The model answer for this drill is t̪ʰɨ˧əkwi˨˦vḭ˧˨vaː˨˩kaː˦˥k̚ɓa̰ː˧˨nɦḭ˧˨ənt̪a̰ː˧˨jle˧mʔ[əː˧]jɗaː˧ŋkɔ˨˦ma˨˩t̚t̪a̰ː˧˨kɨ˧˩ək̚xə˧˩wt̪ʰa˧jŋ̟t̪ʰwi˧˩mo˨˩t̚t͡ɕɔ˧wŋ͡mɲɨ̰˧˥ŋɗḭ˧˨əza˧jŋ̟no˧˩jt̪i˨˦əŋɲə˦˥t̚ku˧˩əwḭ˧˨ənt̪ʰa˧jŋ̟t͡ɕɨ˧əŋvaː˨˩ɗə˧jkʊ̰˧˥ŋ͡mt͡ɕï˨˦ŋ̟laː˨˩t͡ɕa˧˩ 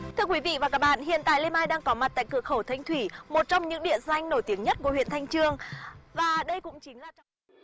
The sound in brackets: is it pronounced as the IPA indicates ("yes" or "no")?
no